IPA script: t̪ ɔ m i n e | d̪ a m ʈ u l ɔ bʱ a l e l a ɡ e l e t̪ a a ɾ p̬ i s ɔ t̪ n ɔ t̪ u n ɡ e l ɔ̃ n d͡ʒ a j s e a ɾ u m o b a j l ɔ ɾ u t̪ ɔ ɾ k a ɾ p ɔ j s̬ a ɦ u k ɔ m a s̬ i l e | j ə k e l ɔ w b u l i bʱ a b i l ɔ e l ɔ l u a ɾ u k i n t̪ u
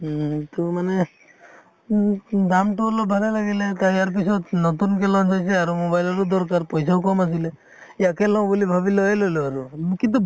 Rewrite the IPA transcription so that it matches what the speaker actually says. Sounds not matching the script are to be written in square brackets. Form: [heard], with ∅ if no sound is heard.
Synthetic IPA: t̪ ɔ m [a] n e | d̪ a m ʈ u l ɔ bʱ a l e l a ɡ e l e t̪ a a ɾ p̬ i s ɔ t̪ n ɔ t̪ u n [k] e l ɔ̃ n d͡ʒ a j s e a ɾ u m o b a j l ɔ ɾ u [d̪] ɔ ɾ k a ɾ p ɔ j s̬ a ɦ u k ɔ m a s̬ i l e | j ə k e l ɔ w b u l i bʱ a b i l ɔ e l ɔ l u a ɾ u k i n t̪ u

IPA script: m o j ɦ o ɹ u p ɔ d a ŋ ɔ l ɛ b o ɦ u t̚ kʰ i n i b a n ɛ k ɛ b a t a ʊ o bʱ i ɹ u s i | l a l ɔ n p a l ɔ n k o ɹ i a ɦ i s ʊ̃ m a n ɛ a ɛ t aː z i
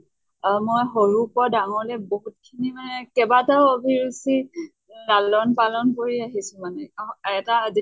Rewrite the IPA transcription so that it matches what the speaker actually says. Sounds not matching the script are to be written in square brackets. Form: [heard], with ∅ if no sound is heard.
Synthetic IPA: m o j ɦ o ɹ u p ɔ d a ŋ ɔ l ɛ b o ɦ u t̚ kʰ i n i [m] a n ɛ k ɛ b a t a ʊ o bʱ i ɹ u s i | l a l ɔ n p a l ɔ n k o ɹ i a ɦ i s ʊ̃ m a n ɛ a ɛ t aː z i

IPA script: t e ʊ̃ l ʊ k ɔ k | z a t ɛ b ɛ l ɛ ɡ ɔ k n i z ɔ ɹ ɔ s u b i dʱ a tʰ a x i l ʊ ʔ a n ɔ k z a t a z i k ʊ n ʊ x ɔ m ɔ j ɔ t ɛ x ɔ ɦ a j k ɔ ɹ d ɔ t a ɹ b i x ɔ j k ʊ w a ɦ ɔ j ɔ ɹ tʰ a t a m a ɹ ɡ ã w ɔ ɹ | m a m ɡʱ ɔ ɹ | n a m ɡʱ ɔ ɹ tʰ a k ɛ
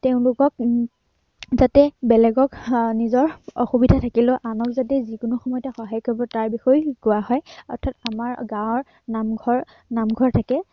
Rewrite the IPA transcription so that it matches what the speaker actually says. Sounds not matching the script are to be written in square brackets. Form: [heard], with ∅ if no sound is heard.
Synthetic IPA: t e ʊ̃ l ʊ k ɔ k | z a t ɛ b ɛ l ɛ ɡ ɔ k n i z ɔ ɹ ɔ [x] u b i dʱ a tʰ a [k] i l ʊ ʔ a n ɔ k z a t [ɛ] z i k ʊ n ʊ x ɔ m ɔ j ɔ t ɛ x ɔ ɦ a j k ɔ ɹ [b] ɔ t a ɹ b i x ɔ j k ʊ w a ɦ ɔ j ɔ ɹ tʰ a t a m a ɹ ɡ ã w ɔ ɹ | [n] a m ɡʱ ɔ ɹ | n a m ɡʱ ɔ ɹ tʰ a k ɛ

